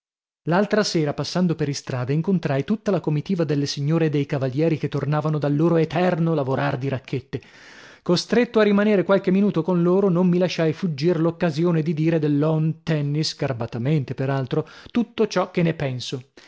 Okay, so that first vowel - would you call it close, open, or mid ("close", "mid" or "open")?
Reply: open